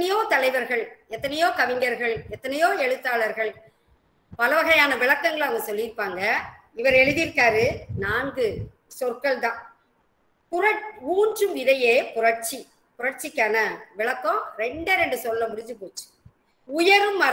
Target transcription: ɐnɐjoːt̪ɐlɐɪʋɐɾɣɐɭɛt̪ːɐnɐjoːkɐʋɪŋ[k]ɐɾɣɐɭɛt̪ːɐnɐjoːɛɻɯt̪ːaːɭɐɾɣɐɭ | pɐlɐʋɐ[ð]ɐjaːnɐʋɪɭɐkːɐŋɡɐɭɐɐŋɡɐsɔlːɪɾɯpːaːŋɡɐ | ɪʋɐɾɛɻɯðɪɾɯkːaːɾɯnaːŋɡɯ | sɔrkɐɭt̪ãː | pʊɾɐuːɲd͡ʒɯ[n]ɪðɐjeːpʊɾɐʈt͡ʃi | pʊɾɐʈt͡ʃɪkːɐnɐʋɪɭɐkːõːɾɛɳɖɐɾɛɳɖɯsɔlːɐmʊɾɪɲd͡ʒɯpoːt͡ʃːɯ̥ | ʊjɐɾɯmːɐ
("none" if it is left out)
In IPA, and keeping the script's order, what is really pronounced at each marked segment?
ɡ, ɣ, m

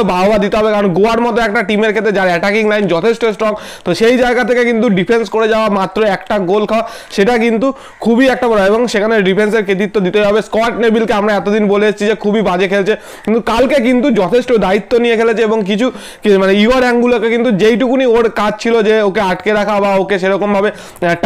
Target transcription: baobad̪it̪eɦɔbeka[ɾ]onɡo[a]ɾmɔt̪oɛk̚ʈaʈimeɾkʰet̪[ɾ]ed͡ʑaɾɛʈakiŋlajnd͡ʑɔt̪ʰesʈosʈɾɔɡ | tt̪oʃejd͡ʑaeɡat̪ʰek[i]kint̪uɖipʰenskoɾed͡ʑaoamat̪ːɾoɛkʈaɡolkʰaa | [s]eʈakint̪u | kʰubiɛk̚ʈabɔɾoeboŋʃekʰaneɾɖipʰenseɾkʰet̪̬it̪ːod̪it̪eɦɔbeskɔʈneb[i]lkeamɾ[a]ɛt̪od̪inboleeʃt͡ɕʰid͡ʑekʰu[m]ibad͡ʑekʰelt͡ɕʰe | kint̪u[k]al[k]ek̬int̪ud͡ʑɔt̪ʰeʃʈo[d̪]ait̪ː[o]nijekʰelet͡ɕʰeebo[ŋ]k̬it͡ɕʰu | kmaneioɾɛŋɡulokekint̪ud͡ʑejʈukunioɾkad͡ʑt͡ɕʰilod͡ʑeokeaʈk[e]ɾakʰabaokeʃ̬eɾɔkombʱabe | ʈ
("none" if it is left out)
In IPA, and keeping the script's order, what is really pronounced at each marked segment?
ɾ, a, ɾ, e, ʃ, i, a, b, k, k, d̪, o, ŋ, e

